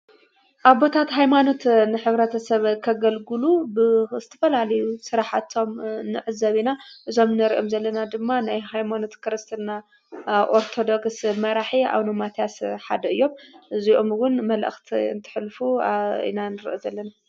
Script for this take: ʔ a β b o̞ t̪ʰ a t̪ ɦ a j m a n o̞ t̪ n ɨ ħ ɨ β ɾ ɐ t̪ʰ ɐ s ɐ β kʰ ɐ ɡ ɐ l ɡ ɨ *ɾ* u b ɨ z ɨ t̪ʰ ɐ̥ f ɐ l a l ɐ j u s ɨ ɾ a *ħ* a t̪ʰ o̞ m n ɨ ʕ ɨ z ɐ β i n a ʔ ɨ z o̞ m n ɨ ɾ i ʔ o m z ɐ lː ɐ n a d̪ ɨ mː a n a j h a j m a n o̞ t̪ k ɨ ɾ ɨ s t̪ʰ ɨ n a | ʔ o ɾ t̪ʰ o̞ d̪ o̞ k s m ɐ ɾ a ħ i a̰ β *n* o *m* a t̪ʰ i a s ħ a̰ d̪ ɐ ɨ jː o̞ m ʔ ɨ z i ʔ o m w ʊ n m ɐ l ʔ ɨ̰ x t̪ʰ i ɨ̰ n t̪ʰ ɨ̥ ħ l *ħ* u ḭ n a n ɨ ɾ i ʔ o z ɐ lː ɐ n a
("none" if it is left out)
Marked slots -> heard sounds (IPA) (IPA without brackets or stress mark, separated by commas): l, ħ, n, m, f